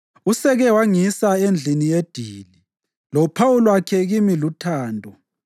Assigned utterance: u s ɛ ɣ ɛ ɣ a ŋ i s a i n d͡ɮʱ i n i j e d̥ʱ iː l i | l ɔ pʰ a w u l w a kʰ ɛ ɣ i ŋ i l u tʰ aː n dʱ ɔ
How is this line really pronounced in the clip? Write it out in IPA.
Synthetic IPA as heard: u s ɛ ɣ ɛ w a ŋ i s a e n d͡ɮʱ i n i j e d̥ʱ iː l i | l ɔ pʰ a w u l w a kʰ ɛ ɣ i m i l u tʰ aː n dʱ ɔ